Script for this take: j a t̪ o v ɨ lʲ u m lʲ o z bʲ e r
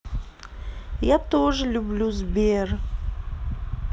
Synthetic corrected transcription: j a t̪ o ʐ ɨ lʲ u b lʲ u z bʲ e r